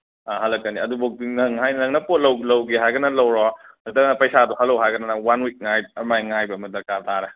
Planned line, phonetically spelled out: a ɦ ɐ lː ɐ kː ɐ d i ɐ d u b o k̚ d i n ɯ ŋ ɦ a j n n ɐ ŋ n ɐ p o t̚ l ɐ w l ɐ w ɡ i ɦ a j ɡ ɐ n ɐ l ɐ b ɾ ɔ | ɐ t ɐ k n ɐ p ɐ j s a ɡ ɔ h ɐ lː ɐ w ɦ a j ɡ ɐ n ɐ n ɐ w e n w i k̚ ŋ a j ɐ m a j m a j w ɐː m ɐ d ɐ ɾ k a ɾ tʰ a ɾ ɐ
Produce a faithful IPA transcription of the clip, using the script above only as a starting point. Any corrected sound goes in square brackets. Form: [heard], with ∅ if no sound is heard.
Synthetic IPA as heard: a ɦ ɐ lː ɐ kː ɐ [n] i ɐ d u b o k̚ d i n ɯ ŋ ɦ a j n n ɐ ŋ n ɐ p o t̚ l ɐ w l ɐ w ɡ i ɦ a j ɡ ɐ n ɐ l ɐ [w] ɾ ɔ | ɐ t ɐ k n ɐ p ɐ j s a [d] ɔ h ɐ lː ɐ w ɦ a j ɡ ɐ n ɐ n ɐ w [a] n w i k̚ ŋ a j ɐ m a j [ŋ] a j [b] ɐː m ɐ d ɐ ɾ k a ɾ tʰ a ɾ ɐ